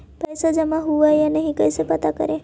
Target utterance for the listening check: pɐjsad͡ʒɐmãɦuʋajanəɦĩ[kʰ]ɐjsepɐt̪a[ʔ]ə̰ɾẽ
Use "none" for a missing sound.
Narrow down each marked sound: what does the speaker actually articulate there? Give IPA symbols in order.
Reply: k, k

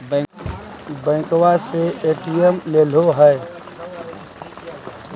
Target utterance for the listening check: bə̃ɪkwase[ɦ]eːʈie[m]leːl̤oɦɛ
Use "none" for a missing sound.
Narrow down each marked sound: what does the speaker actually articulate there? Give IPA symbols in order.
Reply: none, m

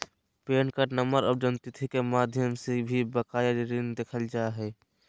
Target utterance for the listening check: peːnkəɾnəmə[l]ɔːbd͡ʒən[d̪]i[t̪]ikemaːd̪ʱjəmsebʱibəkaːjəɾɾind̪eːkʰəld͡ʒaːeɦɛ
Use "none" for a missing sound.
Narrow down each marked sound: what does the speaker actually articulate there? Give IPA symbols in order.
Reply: ɾ, t̪, t̪ʰ

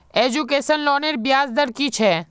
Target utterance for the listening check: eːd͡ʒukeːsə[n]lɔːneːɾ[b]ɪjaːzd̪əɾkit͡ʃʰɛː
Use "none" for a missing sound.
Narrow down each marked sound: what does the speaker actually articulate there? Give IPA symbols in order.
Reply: n, b

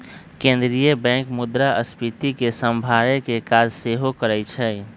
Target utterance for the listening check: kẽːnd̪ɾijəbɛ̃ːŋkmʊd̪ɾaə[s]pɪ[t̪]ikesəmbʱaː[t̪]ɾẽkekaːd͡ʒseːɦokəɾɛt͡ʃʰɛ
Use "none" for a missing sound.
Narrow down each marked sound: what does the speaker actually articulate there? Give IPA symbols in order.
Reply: s, t̪, none

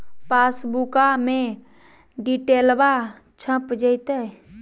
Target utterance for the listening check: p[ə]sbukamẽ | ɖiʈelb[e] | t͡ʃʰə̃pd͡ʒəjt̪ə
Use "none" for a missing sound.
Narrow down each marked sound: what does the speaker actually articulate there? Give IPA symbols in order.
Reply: a, a

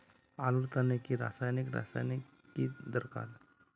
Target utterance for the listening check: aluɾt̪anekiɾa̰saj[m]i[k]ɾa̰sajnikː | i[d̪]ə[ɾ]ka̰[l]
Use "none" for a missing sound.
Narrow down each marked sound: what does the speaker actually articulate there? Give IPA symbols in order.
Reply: n, k, d̪, ɾ, l

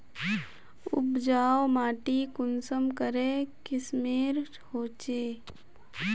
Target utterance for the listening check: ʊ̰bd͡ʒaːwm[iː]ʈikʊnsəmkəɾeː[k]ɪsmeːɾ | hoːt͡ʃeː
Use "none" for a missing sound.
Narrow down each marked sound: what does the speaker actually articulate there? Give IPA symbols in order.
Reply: aː, k

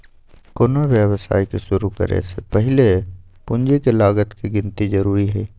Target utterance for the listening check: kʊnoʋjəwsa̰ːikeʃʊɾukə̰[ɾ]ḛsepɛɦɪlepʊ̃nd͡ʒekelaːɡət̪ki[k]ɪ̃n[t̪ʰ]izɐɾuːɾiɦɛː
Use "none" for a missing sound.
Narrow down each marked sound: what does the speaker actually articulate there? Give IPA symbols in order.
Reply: ɾ, ɡ, t̪

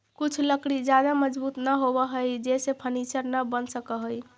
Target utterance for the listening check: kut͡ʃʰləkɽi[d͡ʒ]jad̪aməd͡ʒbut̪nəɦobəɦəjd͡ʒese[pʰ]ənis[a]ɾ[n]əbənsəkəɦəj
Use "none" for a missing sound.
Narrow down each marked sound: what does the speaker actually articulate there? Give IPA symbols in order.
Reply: d͡ʒ, pʰ, ə, n

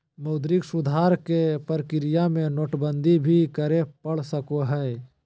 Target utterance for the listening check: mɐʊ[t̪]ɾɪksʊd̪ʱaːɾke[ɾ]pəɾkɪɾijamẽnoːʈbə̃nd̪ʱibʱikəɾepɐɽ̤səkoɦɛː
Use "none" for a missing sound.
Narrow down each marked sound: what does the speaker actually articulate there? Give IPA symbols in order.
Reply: d̪, none

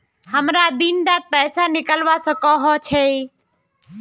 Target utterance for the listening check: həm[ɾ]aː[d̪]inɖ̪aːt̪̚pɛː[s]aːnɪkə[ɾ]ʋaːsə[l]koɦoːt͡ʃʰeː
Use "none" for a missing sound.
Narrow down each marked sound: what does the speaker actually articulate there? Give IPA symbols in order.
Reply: ɾ, d̪, s, l, none

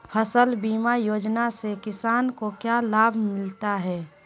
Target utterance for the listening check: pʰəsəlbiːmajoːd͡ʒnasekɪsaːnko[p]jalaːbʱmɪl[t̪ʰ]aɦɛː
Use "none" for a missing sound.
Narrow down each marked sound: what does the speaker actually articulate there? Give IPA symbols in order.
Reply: k, t̪

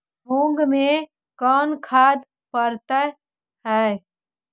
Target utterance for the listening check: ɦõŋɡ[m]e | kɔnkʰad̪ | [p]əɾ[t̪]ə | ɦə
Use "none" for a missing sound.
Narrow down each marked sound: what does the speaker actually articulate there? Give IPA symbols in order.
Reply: m, p, t̪

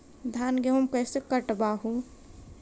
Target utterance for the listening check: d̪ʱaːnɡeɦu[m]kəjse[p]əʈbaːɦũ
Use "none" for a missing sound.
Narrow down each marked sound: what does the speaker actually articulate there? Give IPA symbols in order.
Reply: m, k

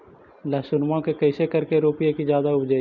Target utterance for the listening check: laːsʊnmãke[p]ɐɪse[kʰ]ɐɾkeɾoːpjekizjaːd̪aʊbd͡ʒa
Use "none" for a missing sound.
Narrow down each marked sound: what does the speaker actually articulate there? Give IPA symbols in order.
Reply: k, k

